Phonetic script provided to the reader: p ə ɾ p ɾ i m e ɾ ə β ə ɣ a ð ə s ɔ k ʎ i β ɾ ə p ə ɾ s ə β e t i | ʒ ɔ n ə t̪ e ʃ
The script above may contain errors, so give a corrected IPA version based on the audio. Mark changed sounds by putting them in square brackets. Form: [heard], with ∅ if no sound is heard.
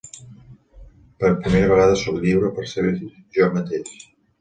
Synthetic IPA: p ə ɾ p ɾ i m e ɾ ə β ə ɣ a ð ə s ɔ k ʎ i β ɾ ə p ə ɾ s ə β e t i | ʒ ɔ [m] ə t̪ e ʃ